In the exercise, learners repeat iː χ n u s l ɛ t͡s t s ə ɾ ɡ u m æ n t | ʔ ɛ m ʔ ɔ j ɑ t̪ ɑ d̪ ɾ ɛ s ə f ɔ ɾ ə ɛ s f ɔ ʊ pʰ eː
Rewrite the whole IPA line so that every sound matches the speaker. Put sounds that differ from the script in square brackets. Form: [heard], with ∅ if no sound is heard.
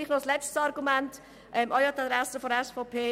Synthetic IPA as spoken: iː χ n [ɔ] s l ɛ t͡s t s [ɑ] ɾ ɡ u m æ n t | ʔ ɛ m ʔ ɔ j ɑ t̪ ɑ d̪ ɾ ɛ s ə f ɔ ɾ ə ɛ s f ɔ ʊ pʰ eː